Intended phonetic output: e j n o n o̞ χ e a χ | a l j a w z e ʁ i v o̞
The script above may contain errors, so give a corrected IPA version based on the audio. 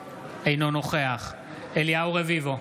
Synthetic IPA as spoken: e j n o n o̞ χ e a χ | e l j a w ʁ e v i v o̞